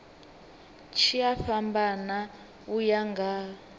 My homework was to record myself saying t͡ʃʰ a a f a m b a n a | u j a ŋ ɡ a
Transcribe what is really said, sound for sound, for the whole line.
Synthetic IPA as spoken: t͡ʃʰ i a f a m b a n a | u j a ŋ ɡ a